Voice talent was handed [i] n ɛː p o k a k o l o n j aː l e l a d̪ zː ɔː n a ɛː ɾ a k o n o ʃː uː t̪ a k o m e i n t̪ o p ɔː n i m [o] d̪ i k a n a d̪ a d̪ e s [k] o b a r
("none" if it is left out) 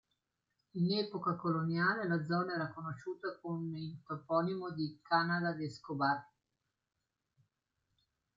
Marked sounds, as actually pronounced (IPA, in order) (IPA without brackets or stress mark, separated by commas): i, o, k